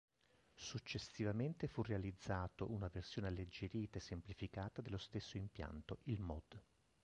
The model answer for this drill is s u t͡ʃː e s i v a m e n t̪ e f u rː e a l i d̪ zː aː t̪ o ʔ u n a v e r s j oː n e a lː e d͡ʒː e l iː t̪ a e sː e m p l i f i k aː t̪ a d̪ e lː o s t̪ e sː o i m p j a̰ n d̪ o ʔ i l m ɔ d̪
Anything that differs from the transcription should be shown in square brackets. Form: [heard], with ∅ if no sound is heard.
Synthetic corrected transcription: s u t͡ʃː e s i v a m e n t̪ e f u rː e a l i d̪ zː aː t̪ o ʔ u n a v e r s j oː n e a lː e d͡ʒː e [ɾ] iː t̪ a e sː e m p l i f i k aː t̪ a d̪ e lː o s t̪ e sː o i m p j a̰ n [t̪] o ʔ i l m ɔ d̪